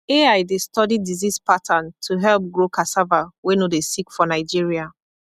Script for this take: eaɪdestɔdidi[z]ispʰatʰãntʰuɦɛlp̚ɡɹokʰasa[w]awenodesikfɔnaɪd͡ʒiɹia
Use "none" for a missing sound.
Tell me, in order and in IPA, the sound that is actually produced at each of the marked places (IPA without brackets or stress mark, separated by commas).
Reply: z, v